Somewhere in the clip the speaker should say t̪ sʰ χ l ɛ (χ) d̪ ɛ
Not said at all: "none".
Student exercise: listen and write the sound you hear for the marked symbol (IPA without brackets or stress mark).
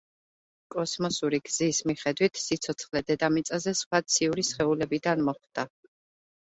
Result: none